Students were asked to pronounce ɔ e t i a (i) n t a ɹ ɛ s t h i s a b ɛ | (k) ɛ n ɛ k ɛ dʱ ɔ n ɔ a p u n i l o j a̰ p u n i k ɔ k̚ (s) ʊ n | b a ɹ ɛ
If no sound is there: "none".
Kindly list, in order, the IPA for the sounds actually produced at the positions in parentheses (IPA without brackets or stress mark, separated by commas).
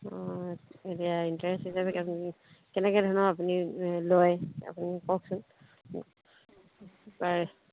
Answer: i, k, s